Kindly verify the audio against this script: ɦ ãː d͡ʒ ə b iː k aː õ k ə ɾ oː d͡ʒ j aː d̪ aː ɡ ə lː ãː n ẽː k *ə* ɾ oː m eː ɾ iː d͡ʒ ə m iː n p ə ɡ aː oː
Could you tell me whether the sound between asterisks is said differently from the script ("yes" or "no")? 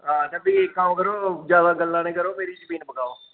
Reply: no